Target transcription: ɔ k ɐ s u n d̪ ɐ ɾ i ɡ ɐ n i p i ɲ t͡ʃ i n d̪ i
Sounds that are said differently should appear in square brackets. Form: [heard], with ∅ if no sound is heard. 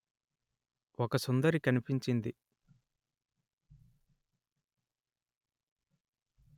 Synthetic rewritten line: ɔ k ɐ s u n d̪ ɐ ɾ i [k] ɐ n i p i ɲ t͡ʃ i n d̪ i